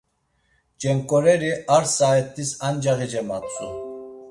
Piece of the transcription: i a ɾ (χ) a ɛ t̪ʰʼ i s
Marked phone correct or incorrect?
incorrect